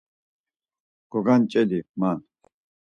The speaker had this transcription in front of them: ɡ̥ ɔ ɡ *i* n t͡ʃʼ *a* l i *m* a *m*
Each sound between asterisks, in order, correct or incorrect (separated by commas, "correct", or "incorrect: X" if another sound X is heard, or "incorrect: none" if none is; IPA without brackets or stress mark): incorrect: a, incorrect: ɛ, correct, incorrect: n